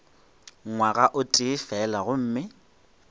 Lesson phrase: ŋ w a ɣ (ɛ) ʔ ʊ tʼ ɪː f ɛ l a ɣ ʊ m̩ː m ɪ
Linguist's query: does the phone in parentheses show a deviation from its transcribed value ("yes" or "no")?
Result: yes